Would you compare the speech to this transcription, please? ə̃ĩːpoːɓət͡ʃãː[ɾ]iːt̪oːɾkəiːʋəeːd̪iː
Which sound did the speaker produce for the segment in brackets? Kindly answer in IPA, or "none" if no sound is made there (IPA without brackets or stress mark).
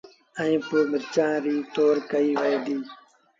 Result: ɾ